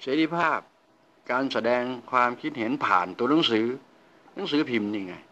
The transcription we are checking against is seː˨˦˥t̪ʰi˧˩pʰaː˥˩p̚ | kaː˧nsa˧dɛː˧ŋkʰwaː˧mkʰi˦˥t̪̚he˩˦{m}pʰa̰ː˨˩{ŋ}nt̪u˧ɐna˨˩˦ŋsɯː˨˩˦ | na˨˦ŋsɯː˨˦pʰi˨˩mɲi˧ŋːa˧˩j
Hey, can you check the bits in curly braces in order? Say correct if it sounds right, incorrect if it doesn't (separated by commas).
incorrect, incorrect